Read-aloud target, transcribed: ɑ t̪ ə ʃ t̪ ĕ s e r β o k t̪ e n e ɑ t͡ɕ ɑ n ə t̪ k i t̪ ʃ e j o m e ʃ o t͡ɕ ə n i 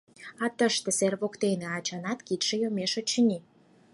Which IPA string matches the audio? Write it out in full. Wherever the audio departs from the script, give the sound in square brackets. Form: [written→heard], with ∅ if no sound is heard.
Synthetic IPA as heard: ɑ t̪ ə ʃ t̪ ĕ s e r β o k t̪ e n e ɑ t͡ɕ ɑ n [ə→ɑ] t̪ k i t̪ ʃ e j o m e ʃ o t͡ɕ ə n i